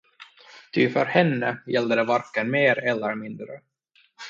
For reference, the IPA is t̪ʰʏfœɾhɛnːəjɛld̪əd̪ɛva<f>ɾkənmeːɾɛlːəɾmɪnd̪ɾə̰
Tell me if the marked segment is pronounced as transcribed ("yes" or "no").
no